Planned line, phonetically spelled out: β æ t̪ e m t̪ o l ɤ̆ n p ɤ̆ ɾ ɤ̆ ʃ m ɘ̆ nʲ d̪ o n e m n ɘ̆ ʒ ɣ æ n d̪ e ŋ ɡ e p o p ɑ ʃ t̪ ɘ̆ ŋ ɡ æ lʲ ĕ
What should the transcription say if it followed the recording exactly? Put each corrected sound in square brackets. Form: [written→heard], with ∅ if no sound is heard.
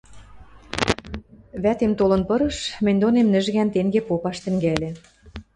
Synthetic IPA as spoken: β æ t̪ e m t̪ o l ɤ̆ n p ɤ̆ ɾ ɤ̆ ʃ m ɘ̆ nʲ d̪ o n e m n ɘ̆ ʒ ɣ æ n [d̪→t̪] e ŋ ɡ e p o p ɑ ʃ t̪ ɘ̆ ŋ ɡ æ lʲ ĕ